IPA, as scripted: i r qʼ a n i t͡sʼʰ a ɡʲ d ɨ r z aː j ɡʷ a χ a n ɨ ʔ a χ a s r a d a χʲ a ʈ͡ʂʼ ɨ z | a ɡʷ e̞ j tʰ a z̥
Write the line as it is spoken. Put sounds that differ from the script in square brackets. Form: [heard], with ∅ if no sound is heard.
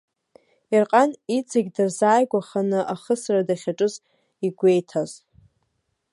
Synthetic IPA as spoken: i r qʼ a n i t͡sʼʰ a ɡʲ d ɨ r z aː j ɡʷ a χ a n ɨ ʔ a χ [ə] s r a d a χʲ a ʈ͡ʂʼ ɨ z | [i] ɡʷ e̞ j tʰ a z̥